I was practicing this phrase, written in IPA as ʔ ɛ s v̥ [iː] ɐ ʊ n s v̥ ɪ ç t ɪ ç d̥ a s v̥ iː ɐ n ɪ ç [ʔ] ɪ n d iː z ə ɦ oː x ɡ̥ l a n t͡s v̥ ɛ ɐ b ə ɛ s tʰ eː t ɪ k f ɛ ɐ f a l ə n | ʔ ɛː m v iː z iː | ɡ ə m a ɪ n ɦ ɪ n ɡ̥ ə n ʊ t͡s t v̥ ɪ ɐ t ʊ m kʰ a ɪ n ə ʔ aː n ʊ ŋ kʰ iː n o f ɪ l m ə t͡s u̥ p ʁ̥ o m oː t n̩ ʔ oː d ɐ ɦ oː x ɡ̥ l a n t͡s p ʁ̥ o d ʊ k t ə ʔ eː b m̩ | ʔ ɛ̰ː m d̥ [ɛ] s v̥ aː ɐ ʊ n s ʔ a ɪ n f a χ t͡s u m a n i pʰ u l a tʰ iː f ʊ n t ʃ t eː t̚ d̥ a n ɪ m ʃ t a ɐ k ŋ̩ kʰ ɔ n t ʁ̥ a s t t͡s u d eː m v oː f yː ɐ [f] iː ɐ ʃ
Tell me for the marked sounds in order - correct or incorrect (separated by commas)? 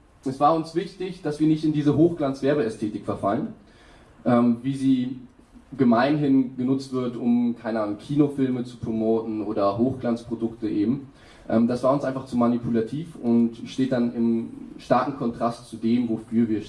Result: incorrect, incorrect, incorrect, incorrect